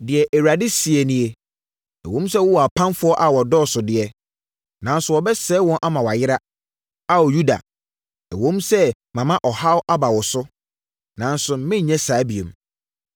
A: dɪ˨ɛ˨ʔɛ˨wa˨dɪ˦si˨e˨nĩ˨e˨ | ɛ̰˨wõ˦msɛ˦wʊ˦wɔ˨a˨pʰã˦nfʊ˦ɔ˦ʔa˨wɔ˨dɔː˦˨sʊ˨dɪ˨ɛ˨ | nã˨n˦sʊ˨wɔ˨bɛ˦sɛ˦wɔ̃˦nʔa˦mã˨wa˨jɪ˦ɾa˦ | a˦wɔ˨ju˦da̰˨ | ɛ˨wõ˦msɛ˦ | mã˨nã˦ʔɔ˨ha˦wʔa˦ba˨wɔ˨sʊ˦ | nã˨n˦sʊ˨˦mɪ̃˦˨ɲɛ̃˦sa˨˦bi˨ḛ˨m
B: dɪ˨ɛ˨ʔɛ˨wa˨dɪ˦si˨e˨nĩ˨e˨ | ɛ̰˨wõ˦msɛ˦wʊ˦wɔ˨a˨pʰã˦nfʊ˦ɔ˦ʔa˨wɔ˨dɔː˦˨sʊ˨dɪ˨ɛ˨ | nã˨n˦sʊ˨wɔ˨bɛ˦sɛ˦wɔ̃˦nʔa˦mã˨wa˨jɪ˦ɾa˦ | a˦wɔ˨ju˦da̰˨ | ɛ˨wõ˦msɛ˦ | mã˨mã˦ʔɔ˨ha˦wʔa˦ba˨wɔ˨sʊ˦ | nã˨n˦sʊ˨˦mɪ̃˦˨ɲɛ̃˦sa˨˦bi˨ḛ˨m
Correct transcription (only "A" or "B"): B